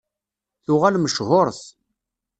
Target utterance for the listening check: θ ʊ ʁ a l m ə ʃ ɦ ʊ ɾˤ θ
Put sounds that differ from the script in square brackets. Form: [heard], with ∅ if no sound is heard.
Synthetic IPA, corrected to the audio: θ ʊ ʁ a l m ə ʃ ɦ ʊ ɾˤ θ